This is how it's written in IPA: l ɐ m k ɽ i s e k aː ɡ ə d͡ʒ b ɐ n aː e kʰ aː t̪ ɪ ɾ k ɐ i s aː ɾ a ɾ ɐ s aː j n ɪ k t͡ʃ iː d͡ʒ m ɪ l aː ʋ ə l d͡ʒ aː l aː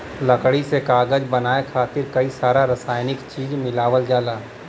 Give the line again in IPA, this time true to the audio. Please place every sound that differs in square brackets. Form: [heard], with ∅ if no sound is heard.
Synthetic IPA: l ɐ [∅] k ɽ i s e k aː ɡ ə d͡ʒ b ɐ n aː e kʰ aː t̪ ɪ ɾ k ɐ i s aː ɾ a ɾ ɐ s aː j n ɪ k t͡ʃ iː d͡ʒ m ɪ l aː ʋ ə l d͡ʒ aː l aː

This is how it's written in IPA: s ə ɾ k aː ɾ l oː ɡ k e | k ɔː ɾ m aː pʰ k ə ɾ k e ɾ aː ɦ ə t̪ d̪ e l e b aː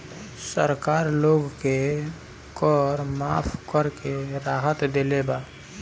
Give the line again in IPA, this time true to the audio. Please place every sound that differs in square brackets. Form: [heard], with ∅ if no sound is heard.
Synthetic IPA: s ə ɾ k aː ɾ l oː ɡ k e | k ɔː ɾ m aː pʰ k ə ɾ k e ɾ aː ɦ ə t̪ d̪ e l e b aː

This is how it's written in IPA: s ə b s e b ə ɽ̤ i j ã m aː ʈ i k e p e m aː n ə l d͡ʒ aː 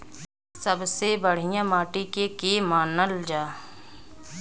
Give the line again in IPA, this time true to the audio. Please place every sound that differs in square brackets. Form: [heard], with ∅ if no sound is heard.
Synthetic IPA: s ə b s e b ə ɽ̤ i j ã m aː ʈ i k e [k] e m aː n ə l d͡ʒ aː

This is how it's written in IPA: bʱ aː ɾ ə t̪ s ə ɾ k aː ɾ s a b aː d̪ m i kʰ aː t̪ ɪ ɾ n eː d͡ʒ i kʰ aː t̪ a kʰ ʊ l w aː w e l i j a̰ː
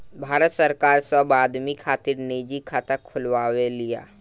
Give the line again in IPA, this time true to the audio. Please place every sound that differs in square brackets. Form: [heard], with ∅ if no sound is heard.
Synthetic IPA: bʱ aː ɾ ə t̪ s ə ɾ k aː ɾ s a b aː d̪ m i kʰ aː t̪ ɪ ɾ n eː d͡ʒ i kʰ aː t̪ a kʰ ʊ l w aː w e l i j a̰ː

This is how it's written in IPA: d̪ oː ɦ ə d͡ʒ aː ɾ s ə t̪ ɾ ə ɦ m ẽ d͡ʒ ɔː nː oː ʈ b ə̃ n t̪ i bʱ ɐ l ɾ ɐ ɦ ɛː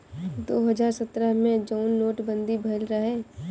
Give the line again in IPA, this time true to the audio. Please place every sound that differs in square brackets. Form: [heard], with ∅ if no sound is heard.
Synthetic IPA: d̪ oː ɦ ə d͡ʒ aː ɾ s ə t̪ ɾ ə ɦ m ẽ d͡ʒ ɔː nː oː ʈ b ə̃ n [d̪] i bʱ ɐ l ɾ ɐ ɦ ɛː

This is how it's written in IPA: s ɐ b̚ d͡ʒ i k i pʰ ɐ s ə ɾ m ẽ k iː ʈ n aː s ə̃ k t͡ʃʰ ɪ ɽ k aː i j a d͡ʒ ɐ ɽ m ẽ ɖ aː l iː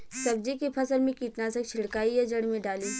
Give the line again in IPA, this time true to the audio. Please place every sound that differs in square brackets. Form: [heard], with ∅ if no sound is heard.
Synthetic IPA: s ɐ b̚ d͡ʒ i k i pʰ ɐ s ə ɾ m ẽ k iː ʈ n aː s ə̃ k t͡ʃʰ ɪ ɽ k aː i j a d͡ʒ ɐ ɽ m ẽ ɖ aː l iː

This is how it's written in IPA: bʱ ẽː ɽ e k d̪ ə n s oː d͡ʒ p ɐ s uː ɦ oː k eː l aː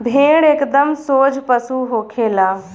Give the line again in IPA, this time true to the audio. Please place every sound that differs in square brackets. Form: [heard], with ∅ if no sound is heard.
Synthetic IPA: bʱ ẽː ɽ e k d̪ ə [m] s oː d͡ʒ p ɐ s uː ɦ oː [kʰ] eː l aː

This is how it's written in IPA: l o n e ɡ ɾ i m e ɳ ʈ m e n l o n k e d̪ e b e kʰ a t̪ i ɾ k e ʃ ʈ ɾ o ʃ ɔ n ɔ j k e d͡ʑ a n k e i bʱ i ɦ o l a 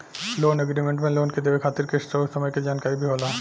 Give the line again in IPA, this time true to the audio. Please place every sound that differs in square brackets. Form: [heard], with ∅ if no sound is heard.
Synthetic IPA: l o n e ɡ ɾ i m e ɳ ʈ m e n l o n k e d̪ e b e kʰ a t̪ i ɾ k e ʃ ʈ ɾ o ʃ ɔ [m] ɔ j k e d͡ʑ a n k [a] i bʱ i ɦ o l a

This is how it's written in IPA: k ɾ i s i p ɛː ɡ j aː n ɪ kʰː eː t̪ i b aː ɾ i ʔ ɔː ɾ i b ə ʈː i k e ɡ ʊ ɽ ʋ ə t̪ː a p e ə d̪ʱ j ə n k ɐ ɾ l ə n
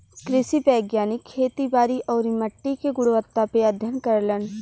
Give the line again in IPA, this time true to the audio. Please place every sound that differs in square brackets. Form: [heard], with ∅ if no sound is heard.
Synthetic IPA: k ɾ [ɪ] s i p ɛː ɡ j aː n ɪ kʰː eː t̪ i b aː ɾ i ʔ ɔː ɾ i [m] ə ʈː i k e ɡ ʊ ɽ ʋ ə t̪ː a p e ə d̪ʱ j ə n k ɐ ɾ l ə n

